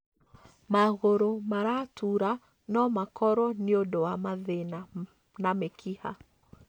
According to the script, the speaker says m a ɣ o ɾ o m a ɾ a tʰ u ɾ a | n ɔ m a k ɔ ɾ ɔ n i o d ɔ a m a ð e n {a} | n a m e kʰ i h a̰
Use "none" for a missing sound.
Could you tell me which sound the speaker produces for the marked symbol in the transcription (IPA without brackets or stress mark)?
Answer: a